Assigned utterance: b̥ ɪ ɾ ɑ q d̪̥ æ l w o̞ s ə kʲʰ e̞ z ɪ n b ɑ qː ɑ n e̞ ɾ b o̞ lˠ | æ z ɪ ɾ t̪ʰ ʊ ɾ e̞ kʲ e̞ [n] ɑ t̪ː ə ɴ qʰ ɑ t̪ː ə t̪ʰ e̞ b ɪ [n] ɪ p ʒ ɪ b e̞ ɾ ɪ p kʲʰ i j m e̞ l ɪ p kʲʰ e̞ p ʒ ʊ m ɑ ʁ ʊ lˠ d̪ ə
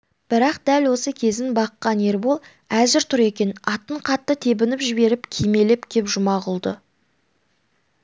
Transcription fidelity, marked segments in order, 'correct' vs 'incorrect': correct, correct

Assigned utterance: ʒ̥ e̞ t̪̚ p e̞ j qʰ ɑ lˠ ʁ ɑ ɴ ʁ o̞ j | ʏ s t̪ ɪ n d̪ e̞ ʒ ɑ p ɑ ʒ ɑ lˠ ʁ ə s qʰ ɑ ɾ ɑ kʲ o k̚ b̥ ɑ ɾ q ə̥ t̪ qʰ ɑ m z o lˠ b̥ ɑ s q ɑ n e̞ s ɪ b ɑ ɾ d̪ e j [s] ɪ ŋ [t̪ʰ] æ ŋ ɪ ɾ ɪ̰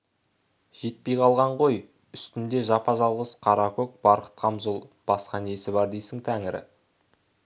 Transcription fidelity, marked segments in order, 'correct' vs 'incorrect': correct, correct

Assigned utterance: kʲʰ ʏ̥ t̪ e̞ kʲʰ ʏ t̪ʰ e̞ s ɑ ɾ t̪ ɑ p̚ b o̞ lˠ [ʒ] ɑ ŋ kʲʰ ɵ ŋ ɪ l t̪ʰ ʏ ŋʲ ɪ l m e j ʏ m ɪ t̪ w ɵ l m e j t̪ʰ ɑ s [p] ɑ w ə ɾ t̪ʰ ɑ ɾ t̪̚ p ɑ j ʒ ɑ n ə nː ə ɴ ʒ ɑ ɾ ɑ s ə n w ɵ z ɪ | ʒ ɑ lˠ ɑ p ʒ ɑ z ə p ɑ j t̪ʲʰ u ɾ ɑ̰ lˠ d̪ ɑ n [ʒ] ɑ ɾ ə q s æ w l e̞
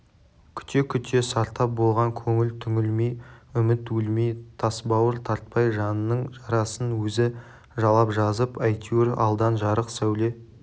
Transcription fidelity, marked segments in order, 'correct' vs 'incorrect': incorrect, incorrect, correct

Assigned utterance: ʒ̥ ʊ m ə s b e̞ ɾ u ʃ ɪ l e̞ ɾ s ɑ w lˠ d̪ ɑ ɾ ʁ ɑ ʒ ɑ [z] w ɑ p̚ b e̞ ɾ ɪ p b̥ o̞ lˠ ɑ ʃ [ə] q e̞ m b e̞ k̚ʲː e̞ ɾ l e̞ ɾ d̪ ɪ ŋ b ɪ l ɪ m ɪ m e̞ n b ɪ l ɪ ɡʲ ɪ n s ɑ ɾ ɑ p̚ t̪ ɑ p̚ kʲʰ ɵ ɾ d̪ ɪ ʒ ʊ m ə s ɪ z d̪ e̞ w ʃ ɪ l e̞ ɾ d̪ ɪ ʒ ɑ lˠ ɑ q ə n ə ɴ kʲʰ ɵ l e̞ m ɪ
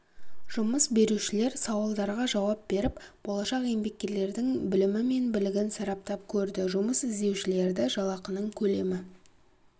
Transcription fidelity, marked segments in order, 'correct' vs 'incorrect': incorrect, incorrect

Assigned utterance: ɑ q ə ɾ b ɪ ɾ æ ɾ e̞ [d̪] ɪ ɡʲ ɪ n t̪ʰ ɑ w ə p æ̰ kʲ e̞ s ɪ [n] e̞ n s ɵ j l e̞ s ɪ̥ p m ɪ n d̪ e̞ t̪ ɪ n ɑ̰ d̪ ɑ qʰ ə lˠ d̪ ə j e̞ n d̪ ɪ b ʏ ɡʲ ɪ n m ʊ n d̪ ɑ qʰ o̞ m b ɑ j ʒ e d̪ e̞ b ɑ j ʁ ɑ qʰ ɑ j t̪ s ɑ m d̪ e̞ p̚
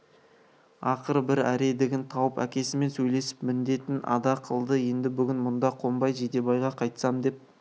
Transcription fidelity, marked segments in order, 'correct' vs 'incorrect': correct, incorrect

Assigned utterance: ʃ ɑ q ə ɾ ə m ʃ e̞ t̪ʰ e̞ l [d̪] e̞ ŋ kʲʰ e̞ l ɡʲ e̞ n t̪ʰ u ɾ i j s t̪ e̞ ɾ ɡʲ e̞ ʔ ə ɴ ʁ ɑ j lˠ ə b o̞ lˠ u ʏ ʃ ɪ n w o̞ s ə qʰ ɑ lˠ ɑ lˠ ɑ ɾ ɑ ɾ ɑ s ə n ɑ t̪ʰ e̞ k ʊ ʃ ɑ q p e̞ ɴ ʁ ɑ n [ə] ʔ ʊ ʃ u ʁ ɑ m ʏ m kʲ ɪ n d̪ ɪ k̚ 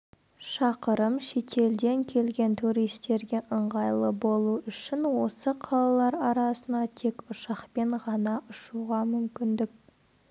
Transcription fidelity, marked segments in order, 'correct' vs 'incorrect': correct, incorrect

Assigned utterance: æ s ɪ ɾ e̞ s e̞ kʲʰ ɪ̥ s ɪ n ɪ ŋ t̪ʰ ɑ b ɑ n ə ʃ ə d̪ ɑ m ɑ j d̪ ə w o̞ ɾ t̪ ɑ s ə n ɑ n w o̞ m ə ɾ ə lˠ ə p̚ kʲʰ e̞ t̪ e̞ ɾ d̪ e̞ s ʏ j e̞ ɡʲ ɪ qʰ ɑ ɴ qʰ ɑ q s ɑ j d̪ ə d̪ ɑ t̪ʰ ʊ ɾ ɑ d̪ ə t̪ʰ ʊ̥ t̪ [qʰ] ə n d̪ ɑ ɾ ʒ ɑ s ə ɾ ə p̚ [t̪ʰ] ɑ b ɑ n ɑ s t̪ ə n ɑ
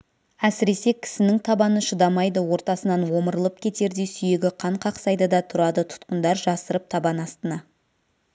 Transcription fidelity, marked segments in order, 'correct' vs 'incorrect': incorrect, correct

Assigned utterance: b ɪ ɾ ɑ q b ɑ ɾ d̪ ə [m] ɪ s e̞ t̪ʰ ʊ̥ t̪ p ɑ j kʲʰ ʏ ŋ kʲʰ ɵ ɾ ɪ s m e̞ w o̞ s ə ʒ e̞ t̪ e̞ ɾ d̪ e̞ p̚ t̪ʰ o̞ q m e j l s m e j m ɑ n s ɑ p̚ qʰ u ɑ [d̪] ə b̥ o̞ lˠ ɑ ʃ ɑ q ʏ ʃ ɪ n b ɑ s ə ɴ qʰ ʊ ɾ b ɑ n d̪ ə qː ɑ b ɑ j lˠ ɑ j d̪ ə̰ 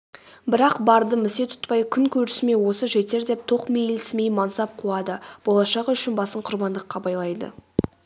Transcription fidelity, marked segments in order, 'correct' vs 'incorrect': correct, correct

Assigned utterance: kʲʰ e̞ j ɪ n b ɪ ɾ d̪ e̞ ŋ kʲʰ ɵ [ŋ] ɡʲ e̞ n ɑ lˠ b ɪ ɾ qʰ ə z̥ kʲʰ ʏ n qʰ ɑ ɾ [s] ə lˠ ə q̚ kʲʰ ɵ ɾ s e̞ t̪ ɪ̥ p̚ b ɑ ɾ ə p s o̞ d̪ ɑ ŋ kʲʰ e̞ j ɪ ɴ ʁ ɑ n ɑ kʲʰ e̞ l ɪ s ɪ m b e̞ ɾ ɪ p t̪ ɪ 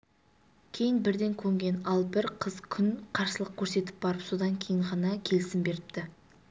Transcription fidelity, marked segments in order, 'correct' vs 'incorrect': correct, correct

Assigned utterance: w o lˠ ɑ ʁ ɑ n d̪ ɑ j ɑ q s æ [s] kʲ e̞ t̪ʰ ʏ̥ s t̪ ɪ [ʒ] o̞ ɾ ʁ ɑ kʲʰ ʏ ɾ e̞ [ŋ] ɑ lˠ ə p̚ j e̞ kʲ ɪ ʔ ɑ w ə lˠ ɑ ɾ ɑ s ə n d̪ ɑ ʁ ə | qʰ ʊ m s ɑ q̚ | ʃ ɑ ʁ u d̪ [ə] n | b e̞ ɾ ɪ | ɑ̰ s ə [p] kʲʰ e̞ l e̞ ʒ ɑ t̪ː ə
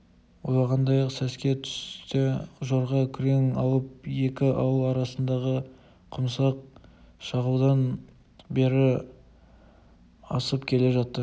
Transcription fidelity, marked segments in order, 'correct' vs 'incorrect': correct, correct, correct, incorrect, correct

